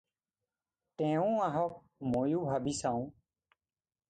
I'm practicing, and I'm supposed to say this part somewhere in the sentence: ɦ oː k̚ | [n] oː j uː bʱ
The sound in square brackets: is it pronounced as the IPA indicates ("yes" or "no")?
no